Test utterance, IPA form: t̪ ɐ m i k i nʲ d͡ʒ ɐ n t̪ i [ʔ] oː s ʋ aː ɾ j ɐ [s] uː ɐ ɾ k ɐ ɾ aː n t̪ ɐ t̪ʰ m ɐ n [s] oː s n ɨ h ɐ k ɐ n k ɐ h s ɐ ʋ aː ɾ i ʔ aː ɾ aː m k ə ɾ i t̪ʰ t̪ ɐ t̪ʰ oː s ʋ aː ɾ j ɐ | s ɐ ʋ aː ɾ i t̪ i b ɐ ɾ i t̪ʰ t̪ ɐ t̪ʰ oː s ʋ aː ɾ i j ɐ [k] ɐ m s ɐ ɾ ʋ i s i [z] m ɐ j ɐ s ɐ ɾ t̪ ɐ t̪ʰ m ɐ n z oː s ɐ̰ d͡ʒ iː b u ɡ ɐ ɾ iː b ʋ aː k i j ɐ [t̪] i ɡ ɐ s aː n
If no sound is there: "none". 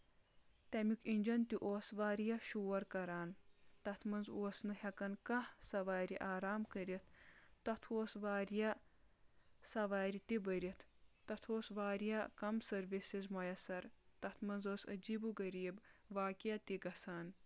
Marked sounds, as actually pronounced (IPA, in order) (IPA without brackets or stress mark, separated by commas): ʔ, ʃ, z, k, z, t̪